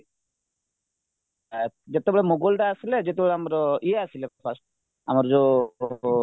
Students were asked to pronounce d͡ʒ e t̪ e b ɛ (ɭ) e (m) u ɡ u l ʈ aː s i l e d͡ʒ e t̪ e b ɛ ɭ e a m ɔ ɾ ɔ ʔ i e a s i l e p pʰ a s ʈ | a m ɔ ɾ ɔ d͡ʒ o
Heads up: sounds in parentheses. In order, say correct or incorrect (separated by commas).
correct, correct